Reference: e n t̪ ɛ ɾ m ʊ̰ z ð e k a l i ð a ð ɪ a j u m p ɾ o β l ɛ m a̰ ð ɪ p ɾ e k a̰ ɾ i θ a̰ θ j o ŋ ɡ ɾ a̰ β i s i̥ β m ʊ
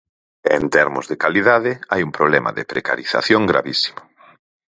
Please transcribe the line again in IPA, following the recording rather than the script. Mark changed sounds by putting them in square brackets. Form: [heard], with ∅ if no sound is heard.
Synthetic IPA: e n t̪ ɛ ɾ m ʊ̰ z ð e k a l i ð a ð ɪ a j u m p ɾ o β l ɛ m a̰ ð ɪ p ɾ e k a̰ ɾ i θ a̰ θ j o ŋ ɡ ɾ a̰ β i s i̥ [∅] m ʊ